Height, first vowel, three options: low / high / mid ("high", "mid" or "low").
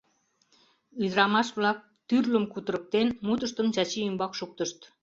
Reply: high